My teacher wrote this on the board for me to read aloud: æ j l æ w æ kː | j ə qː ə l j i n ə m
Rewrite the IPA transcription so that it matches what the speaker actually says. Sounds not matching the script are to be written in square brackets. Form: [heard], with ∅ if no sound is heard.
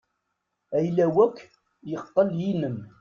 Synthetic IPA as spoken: æ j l æ w æ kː | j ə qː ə l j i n ə m